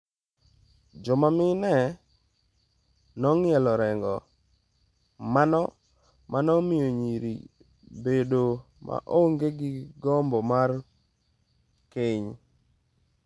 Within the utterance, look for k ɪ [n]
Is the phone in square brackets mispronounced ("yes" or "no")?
yes